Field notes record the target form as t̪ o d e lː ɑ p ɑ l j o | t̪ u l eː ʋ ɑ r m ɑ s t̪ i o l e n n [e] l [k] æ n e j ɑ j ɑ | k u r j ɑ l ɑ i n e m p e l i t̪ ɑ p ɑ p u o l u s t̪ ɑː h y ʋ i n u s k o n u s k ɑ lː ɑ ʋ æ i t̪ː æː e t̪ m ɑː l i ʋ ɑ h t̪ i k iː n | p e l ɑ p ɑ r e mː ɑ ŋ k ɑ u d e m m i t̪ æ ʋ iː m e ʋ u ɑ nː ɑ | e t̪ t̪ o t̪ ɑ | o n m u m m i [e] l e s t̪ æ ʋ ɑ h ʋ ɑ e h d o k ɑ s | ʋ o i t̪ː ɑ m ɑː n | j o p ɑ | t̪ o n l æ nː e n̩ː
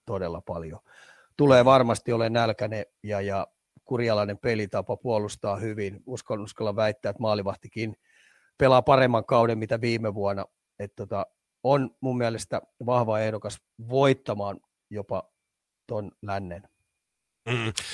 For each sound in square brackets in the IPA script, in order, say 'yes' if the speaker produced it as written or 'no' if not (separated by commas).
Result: no, yes, no